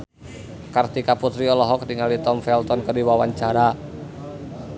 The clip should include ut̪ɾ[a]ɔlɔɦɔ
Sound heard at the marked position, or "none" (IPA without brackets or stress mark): i